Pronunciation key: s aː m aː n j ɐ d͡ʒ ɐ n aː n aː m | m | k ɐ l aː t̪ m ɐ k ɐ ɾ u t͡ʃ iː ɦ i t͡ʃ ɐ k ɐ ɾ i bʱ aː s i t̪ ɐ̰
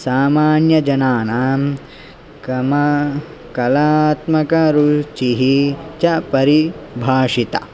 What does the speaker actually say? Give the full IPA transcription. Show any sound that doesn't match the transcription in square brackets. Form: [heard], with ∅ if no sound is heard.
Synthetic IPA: s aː m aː n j ɐ d͡ʒ ɐ n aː n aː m | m | k ɐ l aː t̪ m ɐ k ɐ ɾ u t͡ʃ [i] ɦ i t͡ʃ ɐ [p] ɐ ɾ i bʱ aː [ʂ] i t̪ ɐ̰